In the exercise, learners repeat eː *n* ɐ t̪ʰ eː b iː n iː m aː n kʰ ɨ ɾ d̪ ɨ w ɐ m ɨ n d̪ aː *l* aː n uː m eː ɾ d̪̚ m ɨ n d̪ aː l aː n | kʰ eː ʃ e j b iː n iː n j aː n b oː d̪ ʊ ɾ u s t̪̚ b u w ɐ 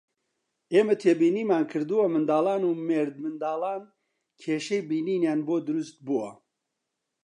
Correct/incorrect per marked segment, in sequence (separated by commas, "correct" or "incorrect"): incorrect, correct